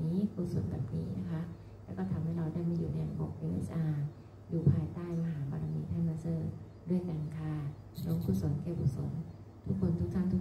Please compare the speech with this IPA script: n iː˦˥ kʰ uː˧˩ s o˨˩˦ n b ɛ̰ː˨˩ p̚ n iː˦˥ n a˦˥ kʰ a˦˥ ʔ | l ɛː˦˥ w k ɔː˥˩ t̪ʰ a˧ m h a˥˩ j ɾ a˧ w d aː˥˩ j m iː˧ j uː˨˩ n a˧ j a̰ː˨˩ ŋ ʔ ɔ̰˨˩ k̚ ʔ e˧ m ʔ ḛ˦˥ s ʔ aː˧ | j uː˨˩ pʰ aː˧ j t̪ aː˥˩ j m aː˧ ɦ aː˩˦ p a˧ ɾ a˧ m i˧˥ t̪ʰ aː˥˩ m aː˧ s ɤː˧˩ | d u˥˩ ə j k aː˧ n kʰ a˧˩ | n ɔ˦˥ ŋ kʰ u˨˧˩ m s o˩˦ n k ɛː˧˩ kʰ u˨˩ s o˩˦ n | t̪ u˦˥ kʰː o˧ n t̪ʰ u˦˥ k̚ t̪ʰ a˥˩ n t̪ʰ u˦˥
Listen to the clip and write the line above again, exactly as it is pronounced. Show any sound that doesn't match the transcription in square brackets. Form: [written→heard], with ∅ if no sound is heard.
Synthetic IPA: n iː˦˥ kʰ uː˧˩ s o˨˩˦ n b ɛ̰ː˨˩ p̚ n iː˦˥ n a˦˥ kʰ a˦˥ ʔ | l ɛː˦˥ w k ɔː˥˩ t̪ʰ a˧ m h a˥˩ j ɾ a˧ w d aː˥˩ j m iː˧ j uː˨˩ n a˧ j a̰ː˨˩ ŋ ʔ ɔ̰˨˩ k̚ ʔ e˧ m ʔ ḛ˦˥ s ʔ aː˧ | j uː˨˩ pʰ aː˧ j t̪ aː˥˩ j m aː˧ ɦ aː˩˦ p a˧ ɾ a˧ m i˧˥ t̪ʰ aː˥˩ m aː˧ s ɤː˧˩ | d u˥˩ ə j k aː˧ n kʰ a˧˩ | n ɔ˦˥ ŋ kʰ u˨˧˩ [m→∅] s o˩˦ n k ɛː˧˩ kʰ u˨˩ s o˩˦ n | [t̪→t̪ʰ] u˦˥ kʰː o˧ n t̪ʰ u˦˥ k̚ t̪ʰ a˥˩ n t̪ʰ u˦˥